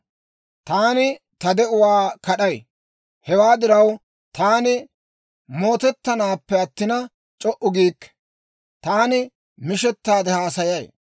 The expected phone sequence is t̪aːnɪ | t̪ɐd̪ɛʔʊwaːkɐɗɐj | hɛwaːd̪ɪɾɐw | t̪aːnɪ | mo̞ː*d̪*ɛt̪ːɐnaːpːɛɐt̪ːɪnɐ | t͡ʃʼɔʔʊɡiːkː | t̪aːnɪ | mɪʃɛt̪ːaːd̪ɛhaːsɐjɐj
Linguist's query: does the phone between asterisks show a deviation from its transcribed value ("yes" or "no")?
yes